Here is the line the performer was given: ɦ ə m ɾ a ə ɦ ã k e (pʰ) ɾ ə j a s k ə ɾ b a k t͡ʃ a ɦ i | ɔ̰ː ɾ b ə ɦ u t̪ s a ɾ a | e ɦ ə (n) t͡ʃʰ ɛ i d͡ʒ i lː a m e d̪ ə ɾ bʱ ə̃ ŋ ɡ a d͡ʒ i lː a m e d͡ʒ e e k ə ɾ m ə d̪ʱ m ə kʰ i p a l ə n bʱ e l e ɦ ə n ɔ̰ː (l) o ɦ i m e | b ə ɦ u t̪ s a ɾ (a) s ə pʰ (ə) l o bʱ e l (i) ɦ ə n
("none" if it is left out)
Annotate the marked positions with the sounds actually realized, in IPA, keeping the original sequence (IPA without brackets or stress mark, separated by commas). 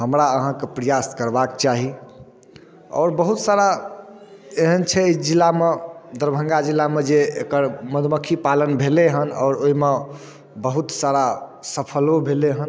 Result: p, n, ɾ, a, ə, e